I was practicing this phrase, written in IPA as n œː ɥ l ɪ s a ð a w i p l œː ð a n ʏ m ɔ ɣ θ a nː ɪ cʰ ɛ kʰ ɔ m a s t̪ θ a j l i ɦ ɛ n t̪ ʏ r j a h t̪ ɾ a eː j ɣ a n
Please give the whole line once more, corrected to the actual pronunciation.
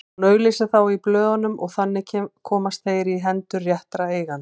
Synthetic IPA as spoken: n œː ɥ l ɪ s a θ a w i p l œː ð a n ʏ m ɔ ɣ θ a nː ɪ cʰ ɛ kʰ ɔː m a s t̪ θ e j ɾ i ɦ ɛ n t̪ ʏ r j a h t̪ ɾ a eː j ɣ a n

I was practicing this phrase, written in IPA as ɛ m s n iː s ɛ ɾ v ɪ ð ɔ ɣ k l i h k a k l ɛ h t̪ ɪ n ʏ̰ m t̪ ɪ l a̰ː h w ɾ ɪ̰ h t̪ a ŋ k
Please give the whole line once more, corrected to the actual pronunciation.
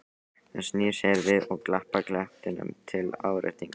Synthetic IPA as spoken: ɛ n s n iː s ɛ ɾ v ɪ ð ɔ ɣ k l a h p a k l ɛ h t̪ ɪ n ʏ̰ m t̪ʰ ɪ l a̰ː w ɾ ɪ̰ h t̪ i ŋ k

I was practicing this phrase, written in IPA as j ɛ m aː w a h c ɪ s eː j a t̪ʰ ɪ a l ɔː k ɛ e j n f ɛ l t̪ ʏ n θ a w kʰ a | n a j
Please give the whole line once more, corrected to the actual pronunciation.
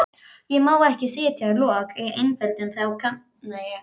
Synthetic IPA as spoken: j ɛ m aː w ɛ h c ɪ s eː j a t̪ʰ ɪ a l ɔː k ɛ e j n f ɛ l t̪ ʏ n θ a w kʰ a | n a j

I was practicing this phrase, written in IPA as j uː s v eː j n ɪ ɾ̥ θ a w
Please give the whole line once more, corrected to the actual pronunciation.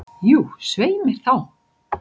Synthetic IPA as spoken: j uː s v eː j m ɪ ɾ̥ θ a w

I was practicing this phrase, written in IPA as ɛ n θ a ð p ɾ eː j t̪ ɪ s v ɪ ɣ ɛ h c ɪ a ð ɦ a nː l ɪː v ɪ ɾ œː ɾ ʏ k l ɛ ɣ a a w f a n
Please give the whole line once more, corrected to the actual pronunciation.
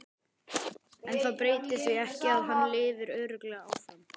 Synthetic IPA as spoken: ɛ n θ a ð p ɾ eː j t̪ ɪ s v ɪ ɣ ɛ h c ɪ a ð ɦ a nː l ɪː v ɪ ɾ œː ɾ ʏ k l ɛ ɣ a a w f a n

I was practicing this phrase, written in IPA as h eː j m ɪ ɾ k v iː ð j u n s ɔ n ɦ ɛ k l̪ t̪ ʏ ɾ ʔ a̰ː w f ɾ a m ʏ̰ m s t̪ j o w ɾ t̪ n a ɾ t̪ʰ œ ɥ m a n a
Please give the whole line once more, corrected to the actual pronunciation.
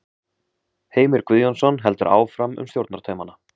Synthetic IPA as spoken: h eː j m ɪ ɾ k v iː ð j ɔ n s ɔ n ɦ ɛ l̪ t̪ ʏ ɾ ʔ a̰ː w f ɾ a m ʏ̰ m s t̪ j o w ɾ t̪ n a ɾ t̪ʰ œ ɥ m a n a

